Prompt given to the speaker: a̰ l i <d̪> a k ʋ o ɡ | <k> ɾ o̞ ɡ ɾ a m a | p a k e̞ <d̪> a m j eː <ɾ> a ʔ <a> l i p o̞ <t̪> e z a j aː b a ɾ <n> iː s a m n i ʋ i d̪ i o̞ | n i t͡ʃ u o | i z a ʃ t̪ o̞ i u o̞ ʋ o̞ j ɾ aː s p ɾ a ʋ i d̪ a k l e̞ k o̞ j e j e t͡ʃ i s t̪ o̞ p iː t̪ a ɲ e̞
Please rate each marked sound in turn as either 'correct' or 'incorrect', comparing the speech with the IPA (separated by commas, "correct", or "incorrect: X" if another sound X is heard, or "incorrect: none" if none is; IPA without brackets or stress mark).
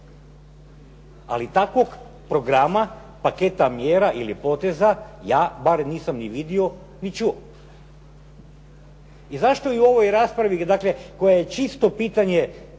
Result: incorrect: t̪, incorrect: p, incorrect: t̪, correct, incorrect: i, correct, correct